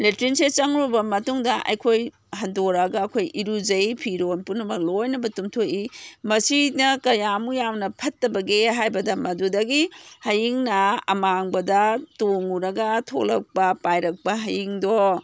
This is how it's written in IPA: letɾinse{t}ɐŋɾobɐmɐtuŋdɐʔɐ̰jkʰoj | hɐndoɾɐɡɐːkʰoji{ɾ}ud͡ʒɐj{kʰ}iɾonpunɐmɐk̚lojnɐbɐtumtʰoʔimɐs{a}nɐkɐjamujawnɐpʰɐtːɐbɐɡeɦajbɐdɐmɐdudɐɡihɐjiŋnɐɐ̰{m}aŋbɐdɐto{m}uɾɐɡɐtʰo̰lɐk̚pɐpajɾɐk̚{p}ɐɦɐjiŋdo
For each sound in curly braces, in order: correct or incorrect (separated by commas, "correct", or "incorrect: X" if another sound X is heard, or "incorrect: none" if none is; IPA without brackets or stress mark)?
incorrect: t͡ʃ, correct, incorrect: pʰ, incorrect: i, correct, incorrect: ŋ, correct